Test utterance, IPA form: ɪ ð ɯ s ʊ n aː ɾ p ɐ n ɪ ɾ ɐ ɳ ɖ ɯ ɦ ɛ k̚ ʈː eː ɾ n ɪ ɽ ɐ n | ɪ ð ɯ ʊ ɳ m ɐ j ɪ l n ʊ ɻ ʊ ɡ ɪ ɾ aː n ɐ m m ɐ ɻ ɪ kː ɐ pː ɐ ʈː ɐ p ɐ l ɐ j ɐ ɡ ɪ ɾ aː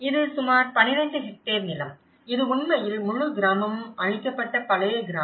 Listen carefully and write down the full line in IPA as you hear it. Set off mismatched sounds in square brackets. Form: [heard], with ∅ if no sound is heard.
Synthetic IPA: ɪ ð ɯ s ʊ [m] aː ɾ p ɐ n ɪ ɾ ɐ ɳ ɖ ɯ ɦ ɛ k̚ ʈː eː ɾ n ɪ [l] ɐ [m] | ɪ ð ɯ ʊ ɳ m ɐ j ɪ l [m] ʊ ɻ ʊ ɡ ɪ ɾ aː [m] ɐ m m ɐ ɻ ɪ kː ɐ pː ɐ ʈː ɐ p ɐ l ɐ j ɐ ɡ ɪ ɾ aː